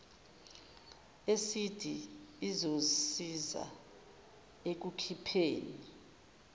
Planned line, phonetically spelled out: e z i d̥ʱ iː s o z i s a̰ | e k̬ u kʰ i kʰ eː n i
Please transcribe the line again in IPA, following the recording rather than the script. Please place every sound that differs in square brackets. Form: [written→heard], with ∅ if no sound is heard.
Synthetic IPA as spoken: e [z→s] i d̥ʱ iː [s→z] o [z→s] i [s→z] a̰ | e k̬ u kʰ i [kʰ→pʰ] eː n i